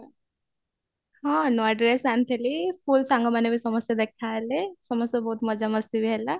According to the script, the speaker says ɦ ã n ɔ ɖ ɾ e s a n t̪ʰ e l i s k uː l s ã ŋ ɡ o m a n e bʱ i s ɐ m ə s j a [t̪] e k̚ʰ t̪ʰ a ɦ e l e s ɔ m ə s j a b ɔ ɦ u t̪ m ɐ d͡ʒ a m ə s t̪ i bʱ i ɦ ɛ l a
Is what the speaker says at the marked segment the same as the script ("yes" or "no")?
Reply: no